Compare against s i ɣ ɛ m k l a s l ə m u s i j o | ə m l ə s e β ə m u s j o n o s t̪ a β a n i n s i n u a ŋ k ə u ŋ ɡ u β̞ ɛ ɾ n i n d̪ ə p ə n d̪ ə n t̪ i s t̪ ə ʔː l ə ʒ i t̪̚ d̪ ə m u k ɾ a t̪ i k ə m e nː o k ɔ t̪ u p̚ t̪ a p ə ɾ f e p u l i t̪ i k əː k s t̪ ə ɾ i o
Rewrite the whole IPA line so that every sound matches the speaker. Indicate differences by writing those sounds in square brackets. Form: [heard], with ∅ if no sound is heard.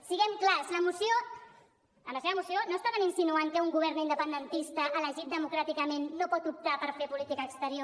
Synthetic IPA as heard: s i ɣ ɛ m k l a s l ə m u s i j o | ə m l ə s e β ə m u s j o n o s t̪ a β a n i n s i n u a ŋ k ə u ŋ ɡ u β̞ ɛ ɾ n i n d̪ ə p ə n d̪ ə n t̪ i s t̪ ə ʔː l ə ʒ i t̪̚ d̪ ə m u k ɾ a t̪ i k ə m e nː o [p] ɔ t̪ u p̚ t̪ a p ə ɾ f e p u l i t̪ i k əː k s t̪ ə ɾ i o

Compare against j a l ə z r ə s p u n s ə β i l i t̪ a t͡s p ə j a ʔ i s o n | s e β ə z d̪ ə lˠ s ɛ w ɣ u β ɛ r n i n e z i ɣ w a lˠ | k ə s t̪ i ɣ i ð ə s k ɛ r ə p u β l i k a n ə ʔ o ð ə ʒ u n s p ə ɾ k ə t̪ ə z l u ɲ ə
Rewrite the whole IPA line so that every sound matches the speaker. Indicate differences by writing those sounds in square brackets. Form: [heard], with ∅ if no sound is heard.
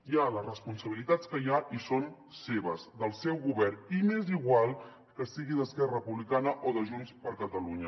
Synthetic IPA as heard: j a l ə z r ə s p u n s ə β i l i t̪ a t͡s [k] ə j a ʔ i s o n | s e β ə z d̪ ə lˠ s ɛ w ɣ u β ɛ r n i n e z i ɣ w a lˠ | k ə s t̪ i ɣ i ð ə s k ɛ r ə p u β l i k a n ə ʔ o ð ə ʒ u n s p ə ɾ k ə t̪ ə [∅] l u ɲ ə

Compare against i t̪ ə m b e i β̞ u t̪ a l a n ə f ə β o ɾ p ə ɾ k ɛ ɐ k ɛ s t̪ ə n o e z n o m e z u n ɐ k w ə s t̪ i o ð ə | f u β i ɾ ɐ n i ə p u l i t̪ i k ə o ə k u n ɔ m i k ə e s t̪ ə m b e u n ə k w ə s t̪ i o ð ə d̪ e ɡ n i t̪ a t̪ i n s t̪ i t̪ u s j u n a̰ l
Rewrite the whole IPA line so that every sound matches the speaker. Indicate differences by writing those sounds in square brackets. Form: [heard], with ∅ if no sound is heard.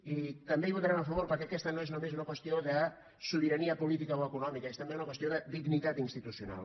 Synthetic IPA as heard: i t̪ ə m b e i β̞ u t̪ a [ɾ] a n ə f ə β o ɾ p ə ɾ k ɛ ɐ k ɛ s t̪ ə n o e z n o m e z u n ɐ k w ə s t̪ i o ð ə | [s] u β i ɾ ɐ n i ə p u l i t̪ i k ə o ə k u n ɔ m i k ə e s t̪ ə m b e u n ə k w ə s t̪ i o ð ə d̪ [i] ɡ n i t̪ a t̪ i n s t̪ i t̪ u s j u n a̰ l

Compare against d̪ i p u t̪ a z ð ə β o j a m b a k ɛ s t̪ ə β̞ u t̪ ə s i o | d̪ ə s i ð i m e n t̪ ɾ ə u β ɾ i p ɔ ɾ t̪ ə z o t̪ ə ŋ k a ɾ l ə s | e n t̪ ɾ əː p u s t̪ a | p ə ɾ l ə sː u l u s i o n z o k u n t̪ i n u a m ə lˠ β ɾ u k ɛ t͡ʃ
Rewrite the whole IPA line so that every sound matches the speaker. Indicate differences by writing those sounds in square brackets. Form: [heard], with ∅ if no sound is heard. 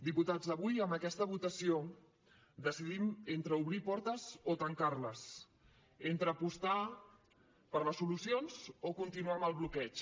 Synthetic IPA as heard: d̪ i p u t̪ a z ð ə β [u] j [ə] m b [ə] k ɛ s t̪ ə β̞ u t̪ ə s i o | d̪ ə s i ð i m e n t̪ ɾ ə u β ɾ i p ɔ ɾ t̪ ə z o t̪ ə ŋ k a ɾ l ə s | e n t̪ ɾ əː p u s t̪ a | p ə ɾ l ə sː u l u s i o n z o k u n t̪ i n u a m ə lˠ β [l] u k ɛ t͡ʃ

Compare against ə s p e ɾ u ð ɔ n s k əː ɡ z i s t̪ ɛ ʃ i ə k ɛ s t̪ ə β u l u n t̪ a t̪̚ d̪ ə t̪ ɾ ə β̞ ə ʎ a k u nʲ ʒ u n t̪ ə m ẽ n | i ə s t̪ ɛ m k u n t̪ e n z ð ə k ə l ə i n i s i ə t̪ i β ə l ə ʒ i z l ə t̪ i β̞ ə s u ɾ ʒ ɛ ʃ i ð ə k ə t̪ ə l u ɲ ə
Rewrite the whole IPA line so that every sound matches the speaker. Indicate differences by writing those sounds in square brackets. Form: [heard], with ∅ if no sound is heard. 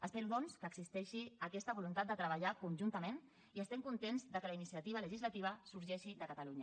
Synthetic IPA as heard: ə s p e ɾ u ð ɔ n s k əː ɡ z i s t̪ ɛ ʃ i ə k ɛ s t̪ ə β u l u n t̪ a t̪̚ d̪ ə t̪ ɾ ə β̞ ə ʎ a k u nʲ ʒ u n t̪ ə m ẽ n | i ə s t̪ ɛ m k u n t̪ e n z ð ə k ə l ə i n i s i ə t̪ i β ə l ə ʒ i z l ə t̪ i β̞ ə s u ɾ ʒ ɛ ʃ i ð ə k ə t̪ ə l u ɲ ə

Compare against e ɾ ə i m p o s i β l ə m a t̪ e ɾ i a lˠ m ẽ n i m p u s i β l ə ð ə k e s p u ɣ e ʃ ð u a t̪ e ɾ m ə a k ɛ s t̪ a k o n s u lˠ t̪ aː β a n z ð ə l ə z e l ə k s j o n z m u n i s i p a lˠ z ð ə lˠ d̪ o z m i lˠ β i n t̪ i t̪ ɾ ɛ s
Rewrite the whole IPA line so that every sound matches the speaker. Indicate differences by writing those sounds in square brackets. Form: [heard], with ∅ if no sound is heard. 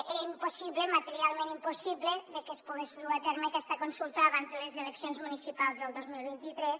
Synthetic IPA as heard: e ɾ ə i m p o s i β l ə m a t̪ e ɾ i a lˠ m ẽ n i m p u s i β l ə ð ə k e s p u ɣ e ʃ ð u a t̪ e ɾ m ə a k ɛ s t̪ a k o n s u lˠ t̪ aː β a n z ð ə l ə z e l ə k s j o n z m u n i s i p a lˠ z ð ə lˠ d̪ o z m i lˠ β i n t̪ i t̪ ɾ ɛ s

